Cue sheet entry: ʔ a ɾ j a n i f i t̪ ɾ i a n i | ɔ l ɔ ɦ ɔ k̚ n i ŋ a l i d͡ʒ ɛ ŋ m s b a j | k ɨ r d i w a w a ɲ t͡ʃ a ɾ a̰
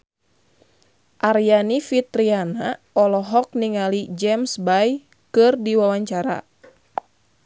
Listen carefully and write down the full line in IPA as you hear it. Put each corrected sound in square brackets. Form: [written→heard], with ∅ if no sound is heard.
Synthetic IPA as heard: ʔ a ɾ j a n i f i t̪ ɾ i a n [i→a] | ɔ l ɔ ɦ ɔ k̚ n i ŋ a l i d͡ʒ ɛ [ŋ→∅] m s b a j | k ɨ r d i w a w a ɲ t͡ʃ a ɾ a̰